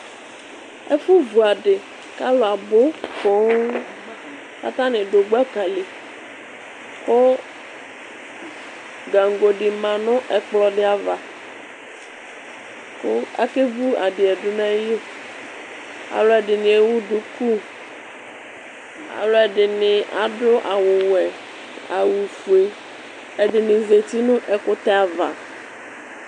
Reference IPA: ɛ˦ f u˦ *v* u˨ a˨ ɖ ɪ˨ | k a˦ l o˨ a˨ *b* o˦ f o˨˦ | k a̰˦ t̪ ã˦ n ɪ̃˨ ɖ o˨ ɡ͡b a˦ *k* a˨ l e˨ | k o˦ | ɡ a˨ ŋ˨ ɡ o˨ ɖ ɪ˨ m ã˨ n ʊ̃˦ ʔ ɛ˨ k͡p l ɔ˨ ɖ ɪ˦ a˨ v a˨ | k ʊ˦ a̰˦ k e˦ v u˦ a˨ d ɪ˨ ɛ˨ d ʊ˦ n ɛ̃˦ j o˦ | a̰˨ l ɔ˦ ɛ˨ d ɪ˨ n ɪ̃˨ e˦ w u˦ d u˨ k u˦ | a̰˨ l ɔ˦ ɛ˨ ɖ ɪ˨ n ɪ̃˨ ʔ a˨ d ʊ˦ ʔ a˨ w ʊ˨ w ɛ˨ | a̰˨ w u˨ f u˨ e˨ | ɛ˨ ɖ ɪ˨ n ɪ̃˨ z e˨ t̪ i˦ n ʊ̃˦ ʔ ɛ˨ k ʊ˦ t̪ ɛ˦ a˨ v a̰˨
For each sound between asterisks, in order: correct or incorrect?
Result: correct, correct, correct

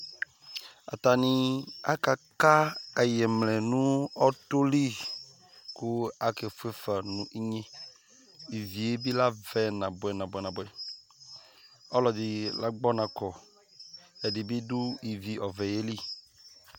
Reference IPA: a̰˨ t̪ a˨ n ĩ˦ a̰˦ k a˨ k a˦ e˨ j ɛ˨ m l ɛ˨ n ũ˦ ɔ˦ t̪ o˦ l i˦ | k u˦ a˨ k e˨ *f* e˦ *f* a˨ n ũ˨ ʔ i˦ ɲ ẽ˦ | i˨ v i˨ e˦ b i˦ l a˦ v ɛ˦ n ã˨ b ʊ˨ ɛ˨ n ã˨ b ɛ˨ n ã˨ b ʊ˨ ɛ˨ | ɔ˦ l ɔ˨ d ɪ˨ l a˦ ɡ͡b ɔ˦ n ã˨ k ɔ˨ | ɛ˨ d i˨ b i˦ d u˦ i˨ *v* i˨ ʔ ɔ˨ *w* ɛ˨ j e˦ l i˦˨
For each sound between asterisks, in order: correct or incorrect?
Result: correct, correct, correct, incorrect

